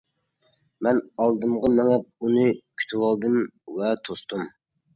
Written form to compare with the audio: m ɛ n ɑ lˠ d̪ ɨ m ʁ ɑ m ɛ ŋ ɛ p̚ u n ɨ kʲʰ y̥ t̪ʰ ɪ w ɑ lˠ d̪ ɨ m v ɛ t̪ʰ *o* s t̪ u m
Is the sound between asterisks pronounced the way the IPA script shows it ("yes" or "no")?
yes